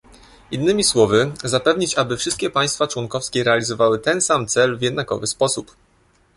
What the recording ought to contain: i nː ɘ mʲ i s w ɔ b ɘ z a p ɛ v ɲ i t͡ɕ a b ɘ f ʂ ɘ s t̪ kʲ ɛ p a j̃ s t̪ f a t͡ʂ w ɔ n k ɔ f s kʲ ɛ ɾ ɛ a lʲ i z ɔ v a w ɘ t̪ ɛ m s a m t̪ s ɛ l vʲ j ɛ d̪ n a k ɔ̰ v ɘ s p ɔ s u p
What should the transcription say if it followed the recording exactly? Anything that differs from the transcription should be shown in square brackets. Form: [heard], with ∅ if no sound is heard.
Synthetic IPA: i nː ɘ mʲ i s w ɔ [v] ɘ z a p ɛ v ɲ i t͡ɕ a b ɘ f ʂ ɘ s t̪ kʲ ɛ p a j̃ s t̪ f a t͡ʂ w ɔ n k ɔ f s kʲ ɛ ɾ ɛ a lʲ i z ɔ v a w ɘ t̪ ɛ [n] s a m t̪ s ɛ l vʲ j ɛ d̪ n a k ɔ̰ v ɘ s p ɔ s u p